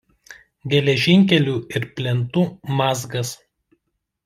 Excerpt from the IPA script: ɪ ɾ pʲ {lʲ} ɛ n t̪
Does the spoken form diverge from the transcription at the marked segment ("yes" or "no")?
no